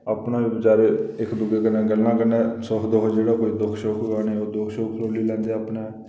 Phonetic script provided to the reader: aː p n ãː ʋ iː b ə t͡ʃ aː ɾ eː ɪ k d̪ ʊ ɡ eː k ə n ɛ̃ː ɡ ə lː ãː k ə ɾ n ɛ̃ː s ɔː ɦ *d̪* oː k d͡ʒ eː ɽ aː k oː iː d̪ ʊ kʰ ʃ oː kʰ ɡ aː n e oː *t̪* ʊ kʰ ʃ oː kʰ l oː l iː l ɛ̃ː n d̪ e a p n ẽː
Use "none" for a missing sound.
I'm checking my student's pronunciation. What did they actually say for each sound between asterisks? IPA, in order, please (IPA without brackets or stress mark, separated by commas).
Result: d̪, d̪